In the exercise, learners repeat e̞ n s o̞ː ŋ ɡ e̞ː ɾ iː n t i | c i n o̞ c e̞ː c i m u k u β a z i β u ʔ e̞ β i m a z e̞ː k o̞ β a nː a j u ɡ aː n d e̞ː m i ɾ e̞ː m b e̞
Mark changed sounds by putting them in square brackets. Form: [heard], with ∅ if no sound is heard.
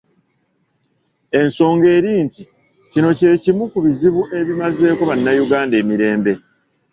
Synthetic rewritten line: e̞ n s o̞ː ŋ ɡ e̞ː ɾ iː n t i | c i n o̞ c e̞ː c i m u k u β [i] z i β u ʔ e̞ β i m a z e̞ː k o̞ β a nː a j u ɡ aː n d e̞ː m i ɾ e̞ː m b e̞